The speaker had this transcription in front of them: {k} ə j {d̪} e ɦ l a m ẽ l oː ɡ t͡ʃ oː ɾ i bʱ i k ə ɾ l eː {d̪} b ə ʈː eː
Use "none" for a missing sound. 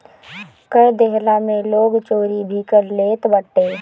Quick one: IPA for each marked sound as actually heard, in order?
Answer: k, d̪, t̪

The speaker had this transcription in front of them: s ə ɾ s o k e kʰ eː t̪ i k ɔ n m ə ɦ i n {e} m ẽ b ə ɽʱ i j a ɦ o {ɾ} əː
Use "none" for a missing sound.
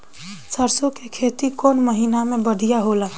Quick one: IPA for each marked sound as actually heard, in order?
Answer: a, l

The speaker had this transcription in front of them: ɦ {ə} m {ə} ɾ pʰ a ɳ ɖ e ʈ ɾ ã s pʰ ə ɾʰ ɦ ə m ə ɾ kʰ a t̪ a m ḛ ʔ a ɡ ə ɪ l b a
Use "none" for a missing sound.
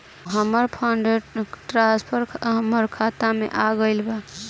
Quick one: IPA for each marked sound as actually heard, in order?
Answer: ə, ə

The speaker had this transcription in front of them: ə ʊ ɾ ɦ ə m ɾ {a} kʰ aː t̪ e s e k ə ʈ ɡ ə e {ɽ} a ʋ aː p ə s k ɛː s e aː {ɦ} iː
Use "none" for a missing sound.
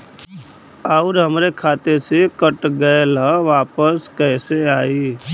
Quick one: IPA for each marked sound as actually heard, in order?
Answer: e, l, none

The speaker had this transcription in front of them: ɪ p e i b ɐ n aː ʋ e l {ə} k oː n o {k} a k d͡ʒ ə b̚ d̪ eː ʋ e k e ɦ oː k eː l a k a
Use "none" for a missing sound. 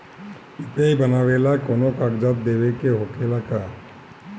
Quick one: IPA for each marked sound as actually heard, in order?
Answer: a, k

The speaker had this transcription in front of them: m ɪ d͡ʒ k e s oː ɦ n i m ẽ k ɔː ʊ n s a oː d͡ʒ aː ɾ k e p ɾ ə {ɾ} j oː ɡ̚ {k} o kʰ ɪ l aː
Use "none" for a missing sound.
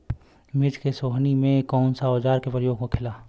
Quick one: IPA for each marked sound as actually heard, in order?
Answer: none, k

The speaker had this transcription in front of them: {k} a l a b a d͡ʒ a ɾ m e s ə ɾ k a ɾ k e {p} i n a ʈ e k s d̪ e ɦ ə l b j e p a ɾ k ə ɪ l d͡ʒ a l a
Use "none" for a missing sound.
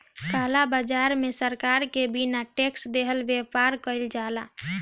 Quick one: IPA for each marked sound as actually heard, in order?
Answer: k, b

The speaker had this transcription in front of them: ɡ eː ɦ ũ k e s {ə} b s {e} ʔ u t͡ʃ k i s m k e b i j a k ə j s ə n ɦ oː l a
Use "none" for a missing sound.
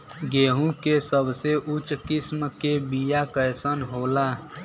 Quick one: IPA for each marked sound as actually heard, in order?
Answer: ə, e

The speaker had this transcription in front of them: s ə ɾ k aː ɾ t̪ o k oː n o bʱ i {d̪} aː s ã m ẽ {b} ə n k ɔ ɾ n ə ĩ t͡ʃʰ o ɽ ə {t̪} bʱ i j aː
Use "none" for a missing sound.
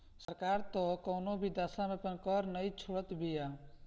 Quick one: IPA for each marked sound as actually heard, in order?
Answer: d̪, p, t̪

